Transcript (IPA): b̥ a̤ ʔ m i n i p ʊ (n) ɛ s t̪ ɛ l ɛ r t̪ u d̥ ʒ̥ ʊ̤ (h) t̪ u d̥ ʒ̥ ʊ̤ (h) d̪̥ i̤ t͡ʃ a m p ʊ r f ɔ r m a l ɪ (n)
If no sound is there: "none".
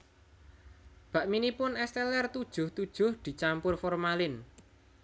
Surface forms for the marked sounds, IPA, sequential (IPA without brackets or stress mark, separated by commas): n, h, h, n